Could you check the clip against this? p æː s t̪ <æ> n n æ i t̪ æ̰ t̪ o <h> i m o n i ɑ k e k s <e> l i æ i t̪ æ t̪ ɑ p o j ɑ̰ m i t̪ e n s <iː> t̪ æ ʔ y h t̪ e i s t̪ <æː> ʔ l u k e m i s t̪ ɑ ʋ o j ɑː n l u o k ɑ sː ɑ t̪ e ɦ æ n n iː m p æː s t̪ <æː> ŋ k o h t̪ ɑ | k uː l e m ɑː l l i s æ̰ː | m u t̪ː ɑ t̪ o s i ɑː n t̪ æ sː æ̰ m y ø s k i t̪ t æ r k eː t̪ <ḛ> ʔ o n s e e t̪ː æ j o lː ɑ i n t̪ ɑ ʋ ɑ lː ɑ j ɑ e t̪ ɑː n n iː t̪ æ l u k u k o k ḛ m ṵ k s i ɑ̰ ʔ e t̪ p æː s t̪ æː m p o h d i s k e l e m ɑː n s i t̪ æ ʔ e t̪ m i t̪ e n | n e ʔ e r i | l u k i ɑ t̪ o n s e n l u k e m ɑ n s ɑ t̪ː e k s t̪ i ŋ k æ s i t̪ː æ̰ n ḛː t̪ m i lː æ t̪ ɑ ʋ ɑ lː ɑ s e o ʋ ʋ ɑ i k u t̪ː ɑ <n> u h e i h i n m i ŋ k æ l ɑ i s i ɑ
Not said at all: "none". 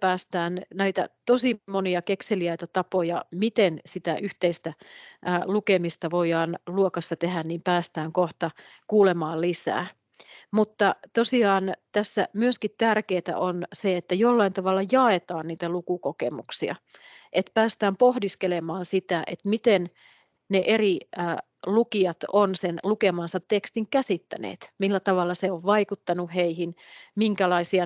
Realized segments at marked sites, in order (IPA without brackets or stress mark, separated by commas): æː, s, e, i, æ, æː, æ̰, n